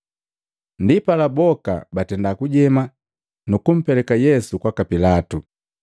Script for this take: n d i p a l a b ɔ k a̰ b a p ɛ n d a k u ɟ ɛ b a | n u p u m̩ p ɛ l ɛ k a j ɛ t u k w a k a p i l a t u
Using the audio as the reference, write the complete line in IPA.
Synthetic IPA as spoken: n d i p a l a b ɔ k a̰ b a t ɛ n d a k u ɟ ɛ m a | n u k u m̩ p ɛ l ɛ k a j ɛ s u k w a k a p i l a t u